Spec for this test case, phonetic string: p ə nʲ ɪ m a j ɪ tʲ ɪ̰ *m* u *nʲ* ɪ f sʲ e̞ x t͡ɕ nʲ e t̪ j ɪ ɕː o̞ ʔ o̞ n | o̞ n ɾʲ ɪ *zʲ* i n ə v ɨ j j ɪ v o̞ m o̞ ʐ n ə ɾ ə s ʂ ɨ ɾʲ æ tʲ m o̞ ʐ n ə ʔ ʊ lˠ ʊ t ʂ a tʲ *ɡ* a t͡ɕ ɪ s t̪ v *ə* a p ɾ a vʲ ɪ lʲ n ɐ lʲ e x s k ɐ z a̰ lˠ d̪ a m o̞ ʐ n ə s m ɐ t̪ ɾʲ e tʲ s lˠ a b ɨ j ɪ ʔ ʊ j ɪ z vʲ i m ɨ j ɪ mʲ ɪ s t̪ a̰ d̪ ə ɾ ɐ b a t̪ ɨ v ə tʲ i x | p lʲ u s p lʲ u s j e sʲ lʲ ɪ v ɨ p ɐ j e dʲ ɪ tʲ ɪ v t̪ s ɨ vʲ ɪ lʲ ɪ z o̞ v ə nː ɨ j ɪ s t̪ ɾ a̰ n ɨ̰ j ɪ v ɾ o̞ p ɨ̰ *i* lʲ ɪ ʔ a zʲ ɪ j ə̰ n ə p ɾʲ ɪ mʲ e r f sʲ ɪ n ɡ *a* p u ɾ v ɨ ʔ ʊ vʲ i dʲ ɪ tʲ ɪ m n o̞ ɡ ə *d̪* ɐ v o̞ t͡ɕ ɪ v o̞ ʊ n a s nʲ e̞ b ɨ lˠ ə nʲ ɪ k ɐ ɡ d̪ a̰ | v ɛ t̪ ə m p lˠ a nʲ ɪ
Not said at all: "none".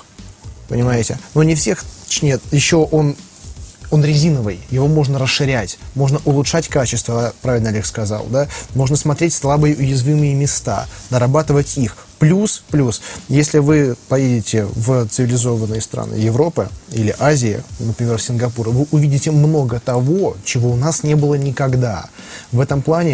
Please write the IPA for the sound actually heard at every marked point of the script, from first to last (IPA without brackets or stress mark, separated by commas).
n, nʲ, zʲ, k, ə, i, ɐ, t̪